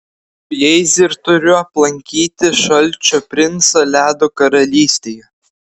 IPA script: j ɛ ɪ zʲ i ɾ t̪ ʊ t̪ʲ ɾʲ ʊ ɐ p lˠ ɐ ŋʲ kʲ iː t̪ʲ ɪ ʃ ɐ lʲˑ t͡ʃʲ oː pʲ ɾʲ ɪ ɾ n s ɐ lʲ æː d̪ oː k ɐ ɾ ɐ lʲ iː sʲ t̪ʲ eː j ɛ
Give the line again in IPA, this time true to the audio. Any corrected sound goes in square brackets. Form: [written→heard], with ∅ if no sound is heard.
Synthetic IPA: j ɛ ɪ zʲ [i→ɪ] ɾ t̪ ʊ [t̪ʲ→∅] ɾʲ ʊ ɐ p lˠ ɐ ŋʲ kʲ iː t̪ʲ ɪ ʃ ɐ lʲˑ t͡ʃʲ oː pʲ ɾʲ ɪ [ɾ→∅] n s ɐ lʲ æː d̪ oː k ɐ ɾ ɐ lʲ iː sʲ t̪ʲ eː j ɛ